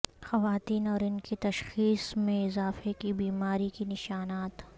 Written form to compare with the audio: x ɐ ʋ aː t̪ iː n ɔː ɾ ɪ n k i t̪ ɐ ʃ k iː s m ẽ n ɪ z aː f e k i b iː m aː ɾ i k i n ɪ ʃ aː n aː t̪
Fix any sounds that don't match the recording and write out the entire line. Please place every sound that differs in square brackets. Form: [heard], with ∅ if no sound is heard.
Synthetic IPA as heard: x ɐ ʋ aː t̪ iː n ɔː ɾ ɪ n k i t̪ ɐ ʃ [x] iː s m ẽ [∅] ɪ z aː f e k i b iː m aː ɾ i k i n ɪ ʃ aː n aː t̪